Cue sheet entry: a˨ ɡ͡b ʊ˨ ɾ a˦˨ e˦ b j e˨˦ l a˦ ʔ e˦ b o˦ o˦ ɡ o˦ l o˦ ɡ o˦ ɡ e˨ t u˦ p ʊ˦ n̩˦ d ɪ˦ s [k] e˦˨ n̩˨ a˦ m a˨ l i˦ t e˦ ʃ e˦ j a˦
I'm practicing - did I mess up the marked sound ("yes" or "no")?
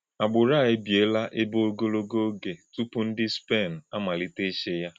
yes